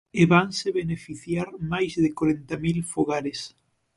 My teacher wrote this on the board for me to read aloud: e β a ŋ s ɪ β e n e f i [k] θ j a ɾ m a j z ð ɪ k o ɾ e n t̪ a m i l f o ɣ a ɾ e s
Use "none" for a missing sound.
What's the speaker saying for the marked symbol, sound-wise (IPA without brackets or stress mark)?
none